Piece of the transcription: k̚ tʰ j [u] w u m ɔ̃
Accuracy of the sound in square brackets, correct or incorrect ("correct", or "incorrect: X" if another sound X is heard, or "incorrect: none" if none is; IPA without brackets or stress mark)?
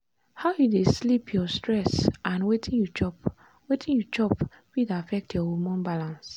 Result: incorrect: ɔ